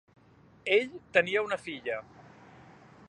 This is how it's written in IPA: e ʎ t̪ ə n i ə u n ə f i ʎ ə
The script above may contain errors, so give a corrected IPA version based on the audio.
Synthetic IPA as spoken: e ʎ t̪ ə n i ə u n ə f i ʎ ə